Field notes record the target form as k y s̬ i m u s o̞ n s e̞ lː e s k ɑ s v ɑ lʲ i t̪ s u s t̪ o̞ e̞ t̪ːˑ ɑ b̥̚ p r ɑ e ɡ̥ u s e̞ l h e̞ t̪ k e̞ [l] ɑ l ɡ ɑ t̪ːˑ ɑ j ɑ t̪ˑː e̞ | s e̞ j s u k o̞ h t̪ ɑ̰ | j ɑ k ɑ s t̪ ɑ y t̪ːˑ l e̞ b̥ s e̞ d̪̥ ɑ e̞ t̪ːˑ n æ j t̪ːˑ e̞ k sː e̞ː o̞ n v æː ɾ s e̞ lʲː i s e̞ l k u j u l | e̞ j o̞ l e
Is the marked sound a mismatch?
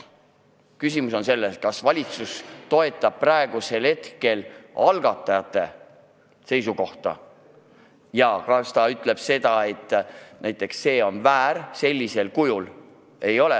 no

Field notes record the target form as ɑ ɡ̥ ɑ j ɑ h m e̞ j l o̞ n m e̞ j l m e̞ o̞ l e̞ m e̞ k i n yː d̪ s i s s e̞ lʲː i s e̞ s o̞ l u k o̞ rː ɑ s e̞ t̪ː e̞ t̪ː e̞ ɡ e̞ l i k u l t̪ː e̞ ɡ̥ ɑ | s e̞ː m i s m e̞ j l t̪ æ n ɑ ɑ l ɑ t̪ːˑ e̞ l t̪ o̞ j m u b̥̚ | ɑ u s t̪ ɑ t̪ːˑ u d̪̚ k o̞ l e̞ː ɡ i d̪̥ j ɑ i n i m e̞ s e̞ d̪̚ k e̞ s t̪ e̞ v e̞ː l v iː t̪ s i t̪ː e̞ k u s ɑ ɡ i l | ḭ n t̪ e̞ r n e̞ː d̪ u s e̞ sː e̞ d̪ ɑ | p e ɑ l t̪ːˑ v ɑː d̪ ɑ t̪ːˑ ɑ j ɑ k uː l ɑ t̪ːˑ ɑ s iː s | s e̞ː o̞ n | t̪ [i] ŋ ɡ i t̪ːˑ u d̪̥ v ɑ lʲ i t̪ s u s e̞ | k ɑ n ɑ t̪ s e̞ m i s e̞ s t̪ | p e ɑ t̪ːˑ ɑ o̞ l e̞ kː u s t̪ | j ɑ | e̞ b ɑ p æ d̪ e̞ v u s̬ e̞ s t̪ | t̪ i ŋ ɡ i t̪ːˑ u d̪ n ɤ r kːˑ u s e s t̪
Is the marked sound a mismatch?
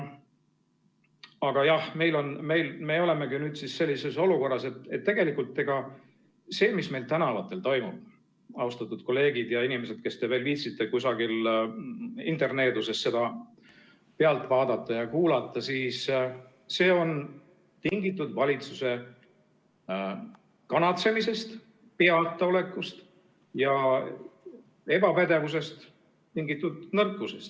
no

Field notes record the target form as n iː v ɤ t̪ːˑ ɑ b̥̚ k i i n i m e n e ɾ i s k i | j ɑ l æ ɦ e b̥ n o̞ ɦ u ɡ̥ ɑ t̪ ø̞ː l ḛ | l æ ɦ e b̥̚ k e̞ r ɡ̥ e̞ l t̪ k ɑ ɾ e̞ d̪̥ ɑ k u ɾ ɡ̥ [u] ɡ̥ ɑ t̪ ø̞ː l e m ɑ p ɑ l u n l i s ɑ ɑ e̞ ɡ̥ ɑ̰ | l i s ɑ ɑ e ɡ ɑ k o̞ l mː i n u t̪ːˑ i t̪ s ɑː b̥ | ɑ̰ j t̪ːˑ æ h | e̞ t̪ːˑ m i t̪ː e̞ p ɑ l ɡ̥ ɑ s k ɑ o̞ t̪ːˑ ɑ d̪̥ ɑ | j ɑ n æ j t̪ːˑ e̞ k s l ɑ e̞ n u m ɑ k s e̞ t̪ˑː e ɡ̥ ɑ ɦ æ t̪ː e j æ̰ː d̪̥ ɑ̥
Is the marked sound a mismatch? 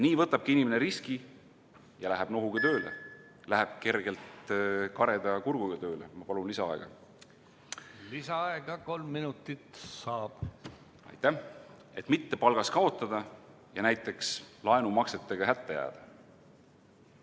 no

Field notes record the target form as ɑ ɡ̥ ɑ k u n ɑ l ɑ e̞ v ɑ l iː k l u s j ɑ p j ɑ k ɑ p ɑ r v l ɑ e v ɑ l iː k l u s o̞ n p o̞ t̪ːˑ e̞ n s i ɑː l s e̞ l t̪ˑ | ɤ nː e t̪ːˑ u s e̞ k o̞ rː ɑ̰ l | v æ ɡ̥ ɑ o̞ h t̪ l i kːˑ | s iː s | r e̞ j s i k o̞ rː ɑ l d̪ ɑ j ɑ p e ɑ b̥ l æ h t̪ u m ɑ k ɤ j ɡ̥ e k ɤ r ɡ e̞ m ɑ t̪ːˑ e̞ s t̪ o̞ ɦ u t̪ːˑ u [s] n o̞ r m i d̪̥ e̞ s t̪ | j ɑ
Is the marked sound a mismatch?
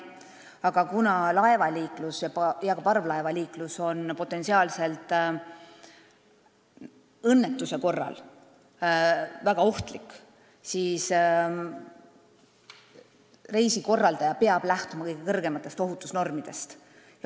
no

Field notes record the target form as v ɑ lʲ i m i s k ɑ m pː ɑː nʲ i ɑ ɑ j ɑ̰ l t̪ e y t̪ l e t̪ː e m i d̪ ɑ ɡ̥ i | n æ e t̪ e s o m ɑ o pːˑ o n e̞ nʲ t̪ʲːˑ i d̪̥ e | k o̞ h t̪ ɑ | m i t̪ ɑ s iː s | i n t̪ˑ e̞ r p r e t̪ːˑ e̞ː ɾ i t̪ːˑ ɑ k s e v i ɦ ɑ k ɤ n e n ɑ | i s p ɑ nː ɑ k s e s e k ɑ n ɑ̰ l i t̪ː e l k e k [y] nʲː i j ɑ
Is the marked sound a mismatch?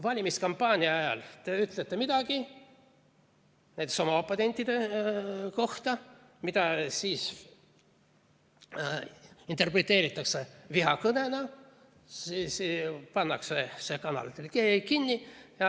yes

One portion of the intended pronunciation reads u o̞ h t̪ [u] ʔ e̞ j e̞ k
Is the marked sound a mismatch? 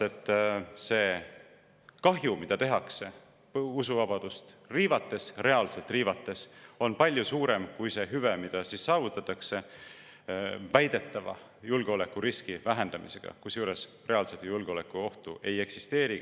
no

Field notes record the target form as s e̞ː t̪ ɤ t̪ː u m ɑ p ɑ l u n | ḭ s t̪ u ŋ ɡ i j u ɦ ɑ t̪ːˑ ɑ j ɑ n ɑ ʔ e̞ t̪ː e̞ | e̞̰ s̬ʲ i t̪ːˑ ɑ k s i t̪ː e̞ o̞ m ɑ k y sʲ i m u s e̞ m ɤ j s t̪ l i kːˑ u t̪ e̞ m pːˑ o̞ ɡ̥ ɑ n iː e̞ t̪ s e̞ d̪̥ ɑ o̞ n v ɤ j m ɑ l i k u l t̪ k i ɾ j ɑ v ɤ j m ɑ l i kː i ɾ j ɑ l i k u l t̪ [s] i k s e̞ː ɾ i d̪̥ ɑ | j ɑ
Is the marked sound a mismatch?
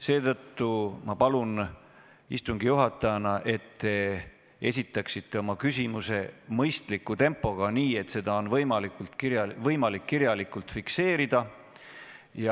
yes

